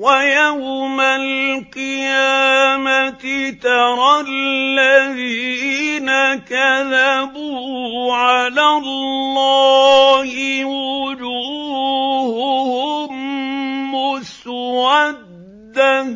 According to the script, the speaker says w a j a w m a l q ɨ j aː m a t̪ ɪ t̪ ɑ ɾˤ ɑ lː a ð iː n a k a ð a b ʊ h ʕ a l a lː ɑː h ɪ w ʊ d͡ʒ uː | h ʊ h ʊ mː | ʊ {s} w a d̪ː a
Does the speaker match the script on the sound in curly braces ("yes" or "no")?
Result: yes